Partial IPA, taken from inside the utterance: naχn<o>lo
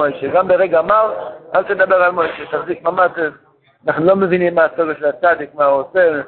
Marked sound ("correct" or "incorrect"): incorrect